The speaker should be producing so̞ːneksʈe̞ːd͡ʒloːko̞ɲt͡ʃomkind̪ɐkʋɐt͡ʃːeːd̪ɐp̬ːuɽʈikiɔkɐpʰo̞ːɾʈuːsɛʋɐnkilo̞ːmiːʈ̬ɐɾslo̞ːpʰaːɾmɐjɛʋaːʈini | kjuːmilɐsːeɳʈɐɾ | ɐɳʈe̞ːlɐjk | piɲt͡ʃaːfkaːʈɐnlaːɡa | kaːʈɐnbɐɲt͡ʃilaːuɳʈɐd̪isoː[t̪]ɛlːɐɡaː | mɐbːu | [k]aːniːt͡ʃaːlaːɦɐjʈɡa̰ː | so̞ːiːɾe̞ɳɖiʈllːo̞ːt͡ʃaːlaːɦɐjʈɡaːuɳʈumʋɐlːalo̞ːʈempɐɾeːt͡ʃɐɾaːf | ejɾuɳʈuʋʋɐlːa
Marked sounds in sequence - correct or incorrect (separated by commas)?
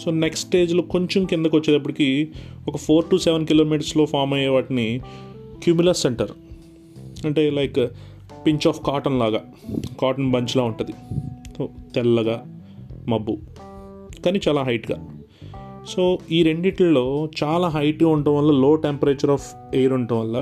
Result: correct, correct